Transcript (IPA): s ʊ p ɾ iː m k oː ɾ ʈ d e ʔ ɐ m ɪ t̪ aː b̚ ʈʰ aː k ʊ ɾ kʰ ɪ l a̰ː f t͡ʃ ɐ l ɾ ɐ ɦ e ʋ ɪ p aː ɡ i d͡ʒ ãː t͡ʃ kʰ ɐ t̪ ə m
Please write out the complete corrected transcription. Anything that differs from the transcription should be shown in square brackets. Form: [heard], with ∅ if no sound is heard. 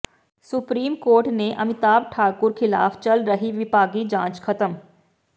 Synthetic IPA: s ʊ p ɾ iː m k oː ɾ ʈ [n] e ʔ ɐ m ɪ t̪ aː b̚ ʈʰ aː k ʊ ɾ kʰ ɪ l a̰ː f t͡ʃ ɐ l ɾ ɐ ɦ [i] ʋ ɪ p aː ɡ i d͡ʒ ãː t͡ʃ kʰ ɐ t̪ ə m